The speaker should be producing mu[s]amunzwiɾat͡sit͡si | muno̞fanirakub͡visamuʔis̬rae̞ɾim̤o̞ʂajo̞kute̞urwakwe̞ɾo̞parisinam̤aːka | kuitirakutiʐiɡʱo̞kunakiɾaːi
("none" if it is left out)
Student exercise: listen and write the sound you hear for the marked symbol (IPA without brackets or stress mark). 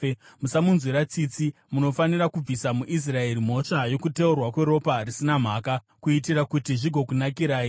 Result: s